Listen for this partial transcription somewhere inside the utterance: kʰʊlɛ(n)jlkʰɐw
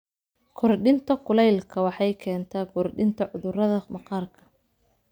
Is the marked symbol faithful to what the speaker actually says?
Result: no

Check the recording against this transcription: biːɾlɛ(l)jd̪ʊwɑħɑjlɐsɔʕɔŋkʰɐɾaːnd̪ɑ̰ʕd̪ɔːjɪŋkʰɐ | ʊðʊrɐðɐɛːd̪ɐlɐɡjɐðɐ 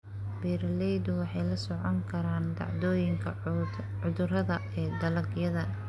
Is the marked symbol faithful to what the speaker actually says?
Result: no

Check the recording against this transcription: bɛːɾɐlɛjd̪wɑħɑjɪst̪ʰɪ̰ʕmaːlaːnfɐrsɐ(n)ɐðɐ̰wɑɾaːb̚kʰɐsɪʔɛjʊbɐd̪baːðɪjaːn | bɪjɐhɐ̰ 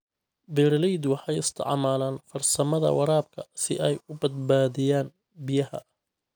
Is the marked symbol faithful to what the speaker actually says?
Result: no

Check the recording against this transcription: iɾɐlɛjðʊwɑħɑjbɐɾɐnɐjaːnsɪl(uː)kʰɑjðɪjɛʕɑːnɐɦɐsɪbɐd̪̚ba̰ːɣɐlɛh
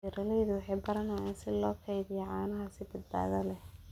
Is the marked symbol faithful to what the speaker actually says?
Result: no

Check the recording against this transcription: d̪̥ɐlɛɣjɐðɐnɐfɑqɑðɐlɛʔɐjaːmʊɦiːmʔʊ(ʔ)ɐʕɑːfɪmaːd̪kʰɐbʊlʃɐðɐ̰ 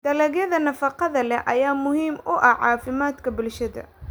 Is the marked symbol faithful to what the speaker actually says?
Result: yes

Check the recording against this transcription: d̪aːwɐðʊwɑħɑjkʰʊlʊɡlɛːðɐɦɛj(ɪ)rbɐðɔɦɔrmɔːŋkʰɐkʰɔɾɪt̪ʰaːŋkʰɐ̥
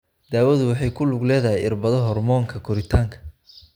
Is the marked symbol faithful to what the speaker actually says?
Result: yes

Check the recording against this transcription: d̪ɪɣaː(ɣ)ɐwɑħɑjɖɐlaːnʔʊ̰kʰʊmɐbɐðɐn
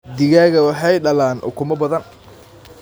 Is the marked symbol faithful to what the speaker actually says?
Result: yes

